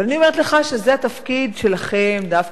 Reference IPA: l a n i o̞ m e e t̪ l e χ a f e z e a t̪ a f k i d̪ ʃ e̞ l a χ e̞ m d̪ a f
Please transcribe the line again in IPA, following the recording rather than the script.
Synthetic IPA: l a n i o̞ m e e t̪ l e χ a ʃ e z e a t̪ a f k i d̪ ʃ e̞ l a χ e̞ m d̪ a f